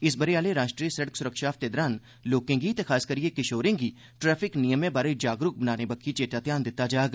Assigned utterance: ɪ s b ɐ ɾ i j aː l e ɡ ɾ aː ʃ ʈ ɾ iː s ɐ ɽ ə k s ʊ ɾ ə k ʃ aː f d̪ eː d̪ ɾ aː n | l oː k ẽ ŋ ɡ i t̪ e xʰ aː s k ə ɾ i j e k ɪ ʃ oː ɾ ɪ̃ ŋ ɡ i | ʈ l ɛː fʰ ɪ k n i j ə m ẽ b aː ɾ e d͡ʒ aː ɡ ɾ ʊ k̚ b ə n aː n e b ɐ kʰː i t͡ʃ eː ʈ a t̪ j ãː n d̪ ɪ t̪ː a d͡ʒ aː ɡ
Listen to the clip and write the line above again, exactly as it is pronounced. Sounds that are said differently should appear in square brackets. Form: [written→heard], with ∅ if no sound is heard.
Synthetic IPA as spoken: ɪ s b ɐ ɾ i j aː l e [ɡ→∅] ɾ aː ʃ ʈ ɾ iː s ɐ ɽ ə k s ʊ ɾ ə k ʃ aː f [d̪→t̪] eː d̪ ɾ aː n | l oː k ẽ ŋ ɡ i t̪ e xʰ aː s k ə ɾ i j e k ɪ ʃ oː ɾ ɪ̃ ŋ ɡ i | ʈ [l→ɾ] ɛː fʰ ɪ k n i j ə m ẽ b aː ɾ e d͡ʒ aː ɡ ɾ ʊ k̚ b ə n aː n e b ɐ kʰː i t͡ʃ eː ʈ a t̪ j [ãː→aː] n d̪ ɪ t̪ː a d͡ʒ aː ɡ